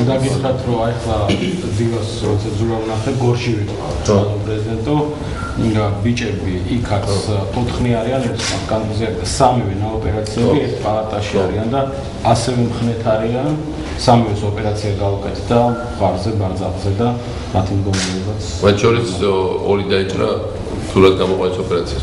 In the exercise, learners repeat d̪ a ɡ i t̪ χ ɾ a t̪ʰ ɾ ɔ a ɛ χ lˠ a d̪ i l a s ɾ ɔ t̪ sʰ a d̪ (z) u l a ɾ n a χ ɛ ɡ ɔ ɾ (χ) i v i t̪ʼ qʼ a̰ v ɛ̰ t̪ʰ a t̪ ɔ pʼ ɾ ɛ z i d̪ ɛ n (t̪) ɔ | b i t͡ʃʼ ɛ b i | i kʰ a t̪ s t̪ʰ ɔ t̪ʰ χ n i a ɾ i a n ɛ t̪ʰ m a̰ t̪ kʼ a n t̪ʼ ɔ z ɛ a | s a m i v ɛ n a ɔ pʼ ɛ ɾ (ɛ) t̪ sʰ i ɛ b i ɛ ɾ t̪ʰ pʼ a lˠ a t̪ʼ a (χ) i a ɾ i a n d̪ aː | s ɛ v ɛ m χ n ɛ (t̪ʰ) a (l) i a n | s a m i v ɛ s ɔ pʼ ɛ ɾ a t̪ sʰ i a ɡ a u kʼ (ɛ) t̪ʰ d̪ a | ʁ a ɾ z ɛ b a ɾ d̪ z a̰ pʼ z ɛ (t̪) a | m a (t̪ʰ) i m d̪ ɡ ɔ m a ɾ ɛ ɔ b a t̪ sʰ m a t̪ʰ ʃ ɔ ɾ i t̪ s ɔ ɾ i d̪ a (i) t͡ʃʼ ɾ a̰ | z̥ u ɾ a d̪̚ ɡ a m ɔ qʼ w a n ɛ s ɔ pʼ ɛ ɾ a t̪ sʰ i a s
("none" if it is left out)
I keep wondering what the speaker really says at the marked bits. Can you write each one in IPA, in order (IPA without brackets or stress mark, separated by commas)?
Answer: z, ʃ, t̪ʼ, a, ʃ, t̪ʰ, ɾ, ɛ, d̪, t̪ʰ, i